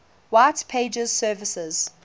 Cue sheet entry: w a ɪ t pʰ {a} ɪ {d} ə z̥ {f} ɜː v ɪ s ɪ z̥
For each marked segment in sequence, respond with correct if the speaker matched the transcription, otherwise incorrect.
incorrect, incorrect, incorrect

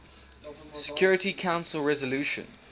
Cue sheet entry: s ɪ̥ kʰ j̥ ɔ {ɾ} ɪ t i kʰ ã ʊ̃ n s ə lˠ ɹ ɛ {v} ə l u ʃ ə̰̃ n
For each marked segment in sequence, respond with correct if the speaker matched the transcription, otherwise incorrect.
incorrect, incorrect

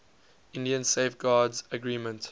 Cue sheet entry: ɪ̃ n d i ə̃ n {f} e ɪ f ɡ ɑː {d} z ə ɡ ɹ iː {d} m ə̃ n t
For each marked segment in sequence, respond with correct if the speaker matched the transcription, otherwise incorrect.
incorrect, correct, incorrect

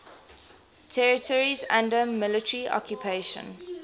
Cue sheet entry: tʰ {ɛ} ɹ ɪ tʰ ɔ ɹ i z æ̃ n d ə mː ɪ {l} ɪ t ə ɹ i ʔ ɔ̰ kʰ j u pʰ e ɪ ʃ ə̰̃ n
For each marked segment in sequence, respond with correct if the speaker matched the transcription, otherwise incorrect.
correct, correct

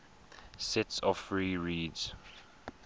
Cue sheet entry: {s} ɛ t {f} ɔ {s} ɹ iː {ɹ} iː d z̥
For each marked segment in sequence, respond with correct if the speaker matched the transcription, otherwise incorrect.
correct, incorrect, incorrect, correct

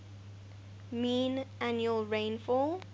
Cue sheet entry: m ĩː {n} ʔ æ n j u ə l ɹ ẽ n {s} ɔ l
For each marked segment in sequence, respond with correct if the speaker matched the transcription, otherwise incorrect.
correct, incorrect

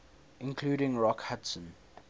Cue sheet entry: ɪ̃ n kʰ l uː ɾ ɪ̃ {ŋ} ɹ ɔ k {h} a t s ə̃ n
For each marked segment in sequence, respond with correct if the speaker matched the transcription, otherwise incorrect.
correct, correct

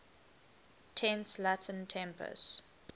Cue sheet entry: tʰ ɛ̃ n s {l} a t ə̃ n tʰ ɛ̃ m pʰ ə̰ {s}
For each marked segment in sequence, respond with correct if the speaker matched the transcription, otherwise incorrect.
correct, correct

